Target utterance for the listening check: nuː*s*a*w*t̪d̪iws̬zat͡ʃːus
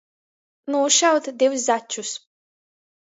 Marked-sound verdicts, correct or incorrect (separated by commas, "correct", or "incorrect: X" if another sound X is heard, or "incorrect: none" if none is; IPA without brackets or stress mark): incorrect: ʃ, correct